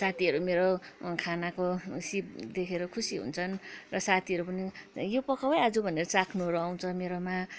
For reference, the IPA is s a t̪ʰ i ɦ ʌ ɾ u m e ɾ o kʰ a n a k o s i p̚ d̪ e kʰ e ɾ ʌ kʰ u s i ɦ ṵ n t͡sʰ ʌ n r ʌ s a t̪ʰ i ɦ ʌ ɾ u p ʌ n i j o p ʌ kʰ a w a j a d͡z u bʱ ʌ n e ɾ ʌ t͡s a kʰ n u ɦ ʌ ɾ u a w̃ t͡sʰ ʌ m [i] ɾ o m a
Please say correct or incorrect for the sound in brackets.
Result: incorrect